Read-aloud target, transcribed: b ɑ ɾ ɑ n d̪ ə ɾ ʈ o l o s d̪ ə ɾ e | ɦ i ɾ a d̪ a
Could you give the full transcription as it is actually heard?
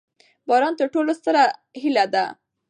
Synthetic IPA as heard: b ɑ ɾ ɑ n t̪ ə ɾ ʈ o l o s t̪ ə ɾ a | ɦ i l a d̪ a